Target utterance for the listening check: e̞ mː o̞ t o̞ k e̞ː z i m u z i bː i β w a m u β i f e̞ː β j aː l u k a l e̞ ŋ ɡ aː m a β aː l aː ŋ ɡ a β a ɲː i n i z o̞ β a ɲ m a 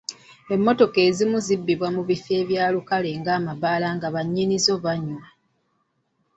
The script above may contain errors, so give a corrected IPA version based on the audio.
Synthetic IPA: e̞ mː o̞ t o̞ k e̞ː z i m u z i bː i β w a m u β i f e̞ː β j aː l u k a l e̞ ŋ ɡ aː m a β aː l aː ŋ ɡ a β a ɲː i n i z o̞ β a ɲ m a